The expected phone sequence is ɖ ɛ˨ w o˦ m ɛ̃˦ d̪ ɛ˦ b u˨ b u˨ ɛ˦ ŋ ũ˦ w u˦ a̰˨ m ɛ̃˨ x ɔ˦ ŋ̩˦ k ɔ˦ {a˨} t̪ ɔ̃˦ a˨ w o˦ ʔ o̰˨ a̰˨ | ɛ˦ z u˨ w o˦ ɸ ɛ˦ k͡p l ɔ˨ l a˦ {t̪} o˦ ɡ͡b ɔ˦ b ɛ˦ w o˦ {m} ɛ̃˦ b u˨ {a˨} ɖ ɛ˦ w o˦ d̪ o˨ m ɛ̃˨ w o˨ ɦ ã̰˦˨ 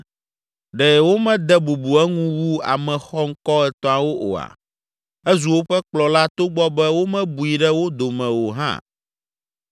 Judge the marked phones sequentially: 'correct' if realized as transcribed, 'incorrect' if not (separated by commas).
incorrect, correct, correct, incorrect